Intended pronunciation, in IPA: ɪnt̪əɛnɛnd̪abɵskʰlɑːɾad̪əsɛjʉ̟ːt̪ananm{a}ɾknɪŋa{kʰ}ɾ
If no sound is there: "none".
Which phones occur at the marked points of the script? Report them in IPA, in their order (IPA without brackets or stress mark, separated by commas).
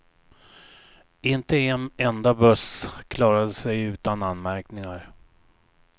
æ, none